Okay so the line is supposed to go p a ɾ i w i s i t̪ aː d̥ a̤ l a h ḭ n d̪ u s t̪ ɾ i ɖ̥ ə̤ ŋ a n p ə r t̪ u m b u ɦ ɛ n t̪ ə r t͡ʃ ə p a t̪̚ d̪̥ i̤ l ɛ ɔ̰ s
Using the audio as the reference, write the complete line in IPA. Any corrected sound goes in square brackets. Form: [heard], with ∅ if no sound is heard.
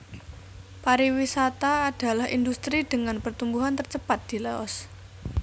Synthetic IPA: p a ɾ i w i s [a] t̪ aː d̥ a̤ l a h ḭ n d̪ u s t̪ ɾ i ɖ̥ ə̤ ŋ a n p ə r t̪ u m b u ɦ [a] n t̪ ə r t͡ʃ ə p a t̪̚ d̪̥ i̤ l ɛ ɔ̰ s